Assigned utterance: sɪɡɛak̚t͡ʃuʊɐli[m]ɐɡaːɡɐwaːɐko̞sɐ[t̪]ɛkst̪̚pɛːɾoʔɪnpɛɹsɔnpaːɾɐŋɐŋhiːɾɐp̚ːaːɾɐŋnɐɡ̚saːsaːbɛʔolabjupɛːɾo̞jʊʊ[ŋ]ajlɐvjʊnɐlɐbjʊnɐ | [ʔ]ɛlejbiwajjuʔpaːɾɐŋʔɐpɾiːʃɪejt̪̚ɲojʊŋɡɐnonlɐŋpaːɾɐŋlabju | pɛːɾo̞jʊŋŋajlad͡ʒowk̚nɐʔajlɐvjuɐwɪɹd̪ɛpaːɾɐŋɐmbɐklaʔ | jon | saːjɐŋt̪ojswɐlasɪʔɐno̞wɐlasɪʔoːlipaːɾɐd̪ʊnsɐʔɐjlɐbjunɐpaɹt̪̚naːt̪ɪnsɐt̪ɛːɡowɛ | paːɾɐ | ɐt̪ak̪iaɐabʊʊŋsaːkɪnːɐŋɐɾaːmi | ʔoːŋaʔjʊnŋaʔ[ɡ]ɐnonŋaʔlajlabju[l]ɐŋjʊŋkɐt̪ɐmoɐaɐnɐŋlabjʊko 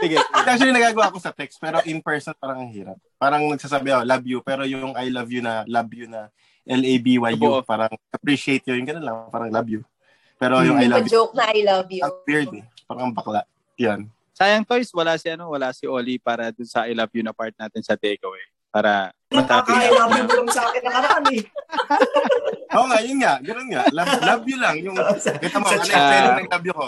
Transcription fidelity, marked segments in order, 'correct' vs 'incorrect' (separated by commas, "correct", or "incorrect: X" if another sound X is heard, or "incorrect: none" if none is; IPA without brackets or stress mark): incorrect: n, correct, correct, correct, correct, correct